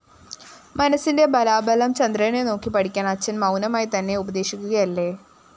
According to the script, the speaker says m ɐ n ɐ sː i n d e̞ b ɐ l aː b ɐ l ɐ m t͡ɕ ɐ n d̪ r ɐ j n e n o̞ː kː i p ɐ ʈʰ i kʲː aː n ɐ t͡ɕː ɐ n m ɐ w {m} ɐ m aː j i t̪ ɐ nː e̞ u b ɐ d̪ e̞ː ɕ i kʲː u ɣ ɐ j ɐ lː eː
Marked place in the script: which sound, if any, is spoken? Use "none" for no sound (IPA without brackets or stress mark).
n